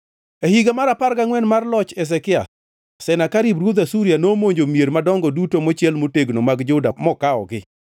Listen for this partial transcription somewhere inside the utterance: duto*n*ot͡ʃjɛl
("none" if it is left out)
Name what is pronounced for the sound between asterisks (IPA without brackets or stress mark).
m